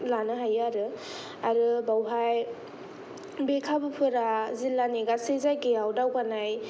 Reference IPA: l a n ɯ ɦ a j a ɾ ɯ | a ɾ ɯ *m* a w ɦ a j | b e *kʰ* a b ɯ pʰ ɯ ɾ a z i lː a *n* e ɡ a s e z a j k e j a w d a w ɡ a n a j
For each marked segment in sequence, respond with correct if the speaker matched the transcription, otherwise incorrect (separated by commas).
incorrect, correct, correct